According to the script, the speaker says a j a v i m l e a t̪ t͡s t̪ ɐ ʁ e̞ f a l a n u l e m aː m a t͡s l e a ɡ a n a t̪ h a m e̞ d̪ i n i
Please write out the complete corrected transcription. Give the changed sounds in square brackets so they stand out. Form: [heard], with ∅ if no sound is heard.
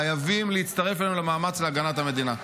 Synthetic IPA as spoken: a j a v i m l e [i] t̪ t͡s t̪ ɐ ʁ e̞ f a l [e] n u l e m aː m a t͡s l e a ɡ a n a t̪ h a m e̞ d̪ i n [a]